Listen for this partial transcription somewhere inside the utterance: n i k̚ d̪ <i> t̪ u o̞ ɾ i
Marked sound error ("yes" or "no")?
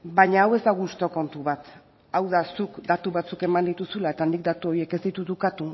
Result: yes